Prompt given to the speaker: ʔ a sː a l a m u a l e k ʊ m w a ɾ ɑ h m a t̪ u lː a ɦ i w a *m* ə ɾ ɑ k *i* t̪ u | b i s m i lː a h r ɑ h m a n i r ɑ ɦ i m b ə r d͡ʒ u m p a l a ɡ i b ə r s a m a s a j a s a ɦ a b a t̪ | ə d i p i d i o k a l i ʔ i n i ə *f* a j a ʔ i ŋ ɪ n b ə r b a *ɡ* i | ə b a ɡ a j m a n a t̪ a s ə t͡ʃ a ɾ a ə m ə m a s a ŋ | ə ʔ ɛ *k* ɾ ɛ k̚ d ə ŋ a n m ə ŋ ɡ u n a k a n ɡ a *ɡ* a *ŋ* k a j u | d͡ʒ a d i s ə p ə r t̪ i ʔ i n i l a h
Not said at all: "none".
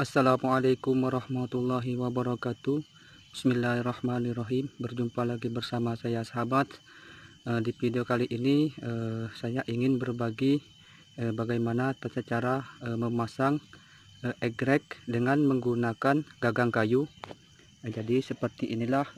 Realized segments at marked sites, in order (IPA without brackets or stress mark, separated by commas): b, a, s, ɡ, ɡ, ɡ, ŋ